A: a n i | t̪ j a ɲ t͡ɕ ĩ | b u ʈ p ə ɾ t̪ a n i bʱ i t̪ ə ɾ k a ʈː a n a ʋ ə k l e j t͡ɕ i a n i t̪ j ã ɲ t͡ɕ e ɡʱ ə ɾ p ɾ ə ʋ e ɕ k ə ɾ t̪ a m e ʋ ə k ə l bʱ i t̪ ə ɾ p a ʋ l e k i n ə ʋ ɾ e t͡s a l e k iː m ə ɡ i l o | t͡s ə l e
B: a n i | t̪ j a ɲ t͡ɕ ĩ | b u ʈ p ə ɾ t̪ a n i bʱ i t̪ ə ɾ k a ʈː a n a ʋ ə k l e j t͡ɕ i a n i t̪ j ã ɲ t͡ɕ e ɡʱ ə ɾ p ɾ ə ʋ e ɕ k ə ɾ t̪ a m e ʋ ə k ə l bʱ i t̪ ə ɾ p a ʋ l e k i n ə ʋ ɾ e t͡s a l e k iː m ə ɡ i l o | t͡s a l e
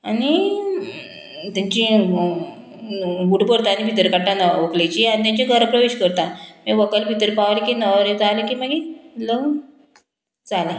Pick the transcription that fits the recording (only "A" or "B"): B